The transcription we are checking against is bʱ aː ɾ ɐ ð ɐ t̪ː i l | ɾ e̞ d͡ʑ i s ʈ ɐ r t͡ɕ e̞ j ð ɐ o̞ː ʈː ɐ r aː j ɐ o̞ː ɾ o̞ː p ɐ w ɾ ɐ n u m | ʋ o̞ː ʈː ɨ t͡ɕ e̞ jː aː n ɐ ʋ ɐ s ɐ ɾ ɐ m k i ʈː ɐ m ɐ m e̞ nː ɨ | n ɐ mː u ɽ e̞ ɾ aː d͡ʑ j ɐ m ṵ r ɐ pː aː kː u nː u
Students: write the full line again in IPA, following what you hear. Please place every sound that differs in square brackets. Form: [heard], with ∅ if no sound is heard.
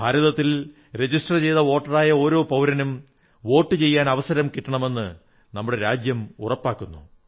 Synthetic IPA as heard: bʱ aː ɾ ɐ ð ɐ t̪ː i l | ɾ e̞ d͡ʑ i s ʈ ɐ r t͡ɕ e̞ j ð ɐ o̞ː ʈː ɐ r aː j ɐ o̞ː ɾ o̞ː p ɐ w ɾ ɐ n u m | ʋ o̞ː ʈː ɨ t͡ɕ e̞ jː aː n ɐ ʋ ɐ s ɐ ɾ ɐ m k i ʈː ɐ [ɳ] ɐ m e̞ nː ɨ | n ɐ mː u ɽ e̞ ɾ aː d͡ʑ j ɐ m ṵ r ɐ pː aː kː u nː u